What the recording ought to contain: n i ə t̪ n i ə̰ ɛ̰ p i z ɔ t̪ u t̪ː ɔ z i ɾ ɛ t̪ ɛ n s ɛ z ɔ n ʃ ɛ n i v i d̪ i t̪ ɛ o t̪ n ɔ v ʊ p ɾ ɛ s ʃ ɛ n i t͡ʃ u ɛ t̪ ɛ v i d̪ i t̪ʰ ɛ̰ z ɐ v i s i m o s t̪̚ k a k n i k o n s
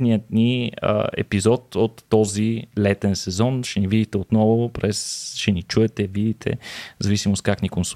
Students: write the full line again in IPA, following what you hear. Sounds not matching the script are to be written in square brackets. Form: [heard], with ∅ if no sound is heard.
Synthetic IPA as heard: n i ə t̪ n i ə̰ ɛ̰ p i z ɔ t̪ [o] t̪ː ɔ z i [l] ɛ t̪ ɛ n s ɛ z ɔ n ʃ ɛ n i v i d̪ i t̪ ɛ o t̪ n ɔ v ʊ p ɾ ɛ s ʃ ɛ n i t͡ʃ u ɛ t̪ ɛ v i d̪ i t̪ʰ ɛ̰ z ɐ v i s i m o s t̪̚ k a k n i k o n s